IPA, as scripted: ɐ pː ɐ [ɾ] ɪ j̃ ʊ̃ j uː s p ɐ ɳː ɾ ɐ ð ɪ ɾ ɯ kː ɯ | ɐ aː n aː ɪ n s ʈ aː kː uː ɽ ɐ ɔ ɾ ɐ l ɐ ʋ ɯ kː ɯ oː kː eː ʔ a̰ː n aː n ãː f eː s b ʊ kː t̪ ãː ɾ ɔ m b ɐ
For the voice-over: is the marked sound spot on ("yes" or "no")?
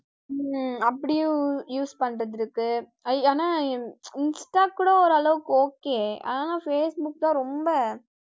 no